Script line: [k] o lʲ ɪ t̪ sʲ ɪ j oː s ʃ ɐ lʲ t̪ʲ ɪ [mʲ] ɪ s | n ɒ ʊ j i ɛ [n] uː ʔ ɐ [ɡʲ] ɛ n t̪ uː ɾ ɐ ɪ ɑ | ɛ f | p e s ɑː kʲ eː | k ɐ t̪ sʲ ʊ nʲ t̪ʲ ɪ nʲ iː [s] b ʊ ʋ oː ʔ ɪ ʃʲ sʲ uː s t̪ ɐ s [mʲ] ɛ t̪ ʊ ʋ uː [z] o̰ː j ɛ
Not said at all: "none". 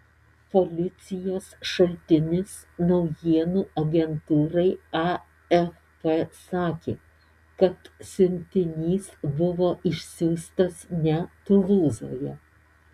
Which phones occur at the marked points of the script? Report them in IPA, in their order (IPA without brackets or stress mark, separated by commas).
p, nʲ, n, ɡʲ, s, nʲ, z